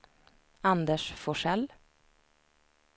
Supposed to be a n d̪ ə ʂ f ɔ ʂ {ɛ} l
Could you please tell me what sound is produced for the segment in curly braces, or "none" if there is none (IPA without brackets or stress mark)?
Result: ɛ